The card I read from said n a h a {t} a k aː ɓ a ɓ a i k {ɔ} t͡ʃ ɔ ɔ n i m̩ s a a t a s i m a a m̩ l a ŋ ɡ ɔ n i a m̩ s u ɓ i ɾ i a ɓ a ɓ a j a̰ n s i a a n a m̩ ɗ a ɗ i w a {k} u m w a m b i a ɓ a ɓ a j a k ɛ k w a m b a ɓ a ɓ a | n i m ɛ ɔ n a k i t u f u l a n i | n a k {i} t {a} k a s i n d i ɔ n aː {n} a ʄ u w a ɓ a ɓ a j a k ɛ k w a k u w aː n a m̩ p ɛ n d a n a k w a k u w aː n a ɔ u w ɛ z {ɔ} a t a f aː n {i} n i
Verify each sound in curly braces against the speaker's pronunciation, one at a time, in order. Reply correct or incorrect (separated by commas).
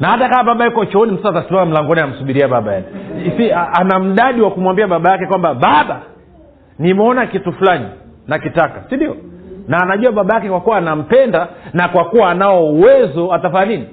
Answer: correct, correct, correct, correct, correct, correct, correct, correct